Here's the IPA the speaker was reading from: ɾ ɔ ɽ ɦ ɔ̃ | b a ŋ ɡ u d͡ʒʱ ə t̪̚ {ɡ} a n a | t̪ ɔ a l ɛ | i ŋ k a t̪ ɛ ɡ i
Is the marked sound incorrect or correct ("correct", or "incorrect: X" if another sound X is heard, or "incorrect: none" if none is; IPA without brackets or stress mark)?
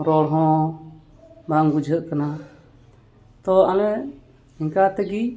incorrect: k